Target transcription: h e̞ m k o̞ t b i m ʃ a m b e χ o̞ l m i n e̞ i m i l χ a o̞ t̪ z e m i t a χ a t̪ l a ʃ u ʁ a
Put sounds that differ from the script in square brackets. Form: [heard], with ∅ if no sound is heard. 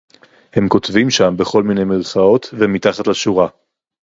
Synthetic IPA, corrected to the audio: h e̞ m k o̞ t [v] i m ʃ a m b e χ o̞ l m i n e̞ [j] m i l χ a o̞ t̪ [v] e m i t a χ a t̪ l a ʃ u ʁ a